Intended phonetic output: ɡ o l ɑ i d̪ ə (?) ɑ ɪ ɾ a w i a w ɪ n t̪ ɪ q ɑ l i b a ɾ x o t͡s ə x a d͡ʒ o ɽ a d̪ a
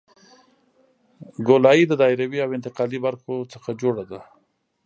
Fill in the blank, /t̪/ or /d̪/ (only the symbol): d̪